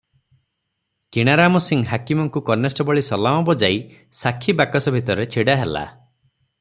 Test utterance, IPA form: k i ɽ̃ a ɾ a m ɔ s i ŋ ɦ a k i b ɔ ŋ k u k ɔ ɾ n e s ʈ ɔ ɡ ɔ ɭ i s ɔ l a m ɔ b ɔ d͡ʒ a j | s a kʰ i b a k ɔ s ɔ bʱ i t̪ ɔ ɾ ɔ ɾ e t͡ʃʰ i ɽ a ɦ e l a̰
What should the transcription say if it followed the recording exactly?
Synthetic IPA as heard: k i ɽ̃ a ɾ a m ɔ s i ŋ ɦ a k i m ɔ ŋ k u k ɔ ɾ n e s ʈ ɔ b ɔ ɭ i s ɔ l a m ɔ b ɔ d͡ʒ a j | s a kʰ i b a k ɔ s ɔ bʱ i t̪ ɔ ɾ ɔ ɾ e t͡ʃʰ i ɽ a ɦ e l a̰